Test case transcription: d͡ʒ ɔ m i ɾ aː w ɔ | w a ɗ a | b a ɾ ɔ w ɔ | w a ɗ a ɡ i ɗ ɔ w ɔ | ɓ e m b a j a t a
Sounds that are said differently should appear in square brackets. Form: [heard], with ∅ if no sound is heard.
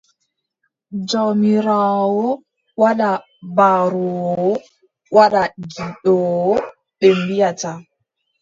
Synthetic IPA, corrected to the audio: d͡ʒ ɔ m i ɾ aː w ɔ | w a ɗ a | b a ɾ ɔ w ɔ | w a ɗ a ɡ i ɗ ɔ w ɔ | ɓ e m b [i] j a t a